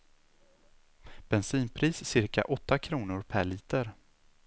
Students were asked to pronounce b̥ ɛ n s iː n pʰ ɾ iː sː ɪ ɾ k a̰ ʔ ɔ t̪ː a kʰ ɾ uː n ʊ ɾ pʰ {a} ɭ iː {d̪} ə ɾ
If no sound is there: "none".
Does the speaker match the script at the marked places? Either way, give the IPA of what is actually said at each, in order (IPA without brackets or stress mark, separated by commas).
æ, t̪